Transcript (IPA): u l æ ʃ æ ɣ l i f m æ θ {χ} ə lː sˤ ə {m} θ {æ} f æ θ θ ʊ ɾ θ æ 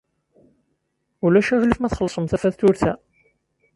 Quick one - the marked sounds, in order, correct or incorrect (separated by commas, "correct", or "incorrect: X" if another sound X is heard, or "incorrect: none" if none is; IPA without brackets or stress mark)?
correct, correct, correct